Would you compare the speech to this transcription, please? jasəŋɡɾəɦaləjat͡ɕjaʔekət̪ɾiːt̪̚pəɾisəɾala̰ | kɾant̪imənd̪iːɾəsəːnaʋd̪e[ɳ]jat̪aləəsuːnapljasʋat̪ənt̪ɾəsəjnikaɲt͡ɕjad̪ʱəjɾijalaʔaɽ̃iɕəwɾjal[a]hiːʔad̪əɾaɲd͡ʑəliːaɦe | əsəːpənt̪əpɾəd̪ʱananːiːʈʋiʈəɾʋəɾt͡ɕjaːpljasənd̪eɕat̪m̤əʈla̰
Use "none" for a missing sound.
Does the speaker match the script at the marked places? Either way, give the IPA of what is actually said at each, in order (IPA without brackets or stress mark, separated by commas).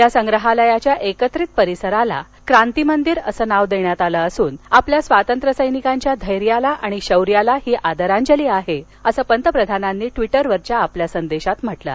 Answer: ɳ, a